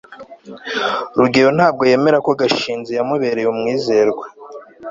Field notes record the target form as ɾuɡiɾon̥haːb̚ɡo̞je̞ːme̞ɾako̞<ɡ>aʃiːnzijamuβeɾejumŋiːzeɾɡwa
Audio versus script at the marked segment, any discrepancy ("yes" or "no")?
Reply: no